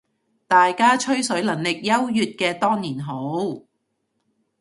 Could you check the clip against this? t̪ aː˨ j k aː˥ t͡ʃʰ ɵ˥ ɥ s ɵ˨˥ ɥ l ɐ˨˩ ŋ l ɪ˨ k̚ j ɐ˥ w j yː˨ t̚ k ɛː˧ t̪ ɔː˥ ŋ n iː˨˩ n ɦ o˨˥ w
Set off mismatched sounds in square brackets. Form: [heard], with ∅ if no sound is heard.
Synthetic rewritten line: t̪ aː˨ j k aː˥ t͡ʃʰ ɵ˥ ɥ s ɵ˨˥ ɥ l ɐ˨˩ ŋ l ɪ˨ k̚ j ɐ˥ w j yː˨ t̚ k ɛː˧ t̪ ɔː˥ ŋ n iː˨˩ n ɦ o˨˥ w